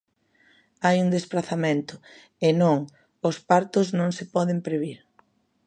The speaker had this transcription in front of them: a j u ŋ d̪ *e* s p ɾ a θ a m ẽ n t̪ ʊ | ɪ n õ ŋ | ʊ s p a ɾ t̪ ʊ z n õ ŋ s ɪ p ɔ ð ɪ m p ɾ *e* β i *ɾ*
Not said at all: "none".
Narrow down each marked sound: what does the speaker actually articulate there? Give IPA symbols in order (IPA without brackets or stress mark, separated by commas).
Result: e, e, ɾ